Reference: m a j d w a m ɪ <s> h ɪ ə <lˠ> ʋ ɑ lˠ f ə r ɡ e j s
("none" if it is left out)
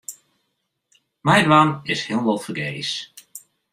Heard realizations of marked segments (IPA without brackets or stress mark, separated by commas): s, lˠ